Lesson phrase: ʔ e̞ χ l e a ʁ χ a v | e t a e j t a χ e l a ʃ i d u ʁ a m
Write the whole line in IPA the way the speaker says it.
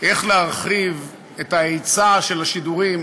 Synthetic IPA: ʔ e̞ χ l e a ʁ χ i v | e t a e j t͡s a ʃ e l a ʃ i d u ʁ i m